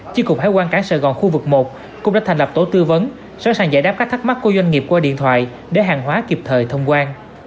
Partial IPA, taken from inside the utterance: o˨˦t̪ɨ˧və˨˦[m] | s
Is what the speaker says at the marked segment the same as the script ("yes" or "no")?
no